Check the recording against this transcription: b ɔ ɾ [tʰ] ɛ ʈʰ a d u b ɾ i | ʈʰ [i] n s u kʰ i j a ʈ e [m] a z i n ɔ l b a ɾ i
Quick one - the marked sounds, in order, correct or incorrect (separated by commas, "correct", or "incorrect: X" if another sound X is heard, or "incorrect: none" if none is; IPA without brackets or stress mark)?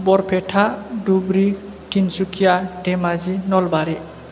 incorrect: pʰ, correct, correct